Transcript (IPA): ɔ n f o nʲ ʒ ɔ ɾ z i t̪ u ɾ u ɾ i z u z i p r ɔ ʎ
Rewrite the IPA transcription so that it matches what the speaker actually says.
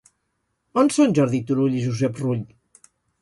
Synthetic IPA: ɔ n s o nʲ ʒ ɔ ɾ ð i t̪ u ɾ u ʎ i ʒ u z ɛ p r u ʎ